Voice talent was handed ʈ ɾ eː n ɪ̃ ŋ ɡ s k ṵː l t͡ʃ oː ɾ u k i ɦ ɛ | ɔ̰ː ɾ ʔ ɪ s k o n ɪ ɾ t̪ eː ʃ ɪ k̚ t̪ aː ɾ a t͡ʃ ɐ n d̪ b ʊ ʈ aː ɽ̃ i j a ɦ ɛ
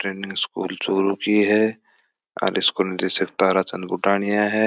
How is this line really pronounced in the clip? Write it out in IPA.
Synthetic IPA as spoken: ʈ ɾ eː n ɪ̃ ŋ ɡ s k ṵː l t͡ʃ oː ɾ u k i ɦ ɛ | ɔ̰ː ɾ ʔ ɪ s k o n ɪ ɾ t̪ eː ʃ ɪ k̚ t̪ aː ɾ a t͡ʃ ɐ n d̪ b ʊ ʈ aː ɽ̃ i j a ɦ ɛ